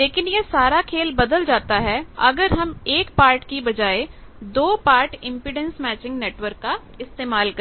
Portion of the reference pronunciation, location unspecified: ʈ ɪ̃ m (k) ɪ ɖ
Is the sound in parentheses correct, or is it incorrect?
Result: incorrect